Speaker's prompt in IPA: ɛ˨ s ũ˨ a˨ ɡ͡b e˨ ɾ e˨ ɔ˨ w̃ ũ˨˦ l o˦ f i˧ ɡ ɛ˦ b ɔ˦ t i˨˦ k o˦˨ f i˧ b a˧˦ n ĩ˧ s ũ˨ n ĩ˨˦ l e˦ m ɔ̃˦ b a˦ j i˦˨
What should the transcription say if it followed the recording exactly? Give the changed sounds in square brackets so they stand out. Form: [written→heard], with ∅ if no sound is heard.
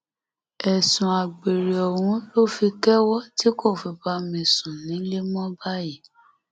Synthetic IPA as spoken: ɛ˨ s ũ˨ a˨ ɡ͡b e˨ ɾ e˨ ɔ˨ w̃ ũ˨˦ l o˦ f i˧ [ɡ→k] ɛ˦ [b→w] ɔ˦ t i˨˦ k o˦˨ f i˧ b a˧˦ [n→m] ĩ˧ s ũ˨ n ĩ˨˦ l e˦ m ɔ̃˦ b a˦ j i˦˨